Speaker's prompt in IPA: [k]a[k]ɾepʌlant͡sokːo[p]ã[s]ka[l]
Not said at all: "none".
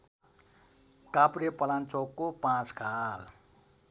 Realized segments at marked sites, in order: k, p, p, t͡s, l

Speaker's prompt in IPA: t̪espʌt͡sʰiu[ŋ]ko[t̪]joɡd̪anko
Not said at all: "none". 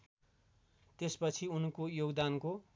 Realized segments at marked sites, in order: n, none

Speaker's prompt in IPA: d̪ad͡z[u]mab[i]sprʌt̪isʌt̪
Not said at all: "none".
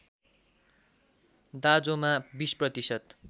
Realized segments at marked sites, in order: o, i

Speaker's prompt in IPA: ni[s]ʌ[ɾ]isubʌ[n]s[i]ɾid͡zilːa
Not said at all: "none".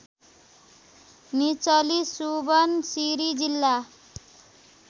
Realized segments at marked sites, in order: t͡s, l, n, i

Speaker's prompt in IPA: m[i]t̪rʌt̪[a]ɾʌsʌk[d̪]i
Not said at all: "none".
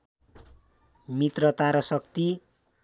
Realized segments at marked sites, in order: i, a, t̪

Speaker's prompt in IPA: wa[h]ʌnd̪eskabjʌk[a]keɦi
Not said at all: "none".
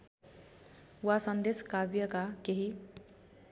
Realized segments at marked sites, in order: s, a

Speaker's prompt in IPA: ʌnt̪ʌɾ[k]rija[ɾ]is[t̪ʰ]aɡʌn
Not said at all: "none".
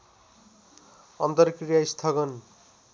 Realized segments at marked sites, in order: k, none, t̪ʰ

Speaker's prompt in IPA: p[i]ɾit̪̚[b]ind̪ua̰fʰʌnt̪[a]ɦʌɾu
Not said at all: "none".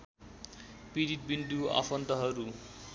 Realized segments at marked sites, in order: i, b, ʌ

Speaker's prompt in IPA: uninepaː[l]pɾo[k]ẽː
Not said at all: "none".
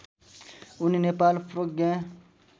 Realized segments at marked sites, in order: l, ɡ

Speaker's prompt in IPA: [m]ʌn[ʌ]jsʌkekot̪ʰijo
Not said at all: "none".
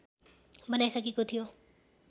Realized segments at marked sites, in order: b, a

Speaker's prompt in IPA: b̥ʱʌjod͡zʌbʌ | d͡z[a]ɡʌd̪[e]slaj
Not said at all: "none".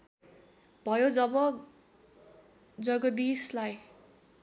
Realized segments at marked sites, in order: ʌ, i

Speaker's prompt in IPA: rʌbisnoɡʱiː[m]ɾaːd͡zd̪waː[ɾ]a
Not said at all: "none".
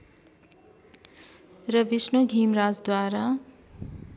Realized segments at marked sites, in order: m, ɾ

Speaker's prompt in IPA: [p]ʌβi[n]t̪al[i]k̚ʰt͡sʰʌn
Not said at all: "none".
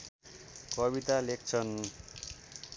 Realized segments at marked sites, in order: k, none, e

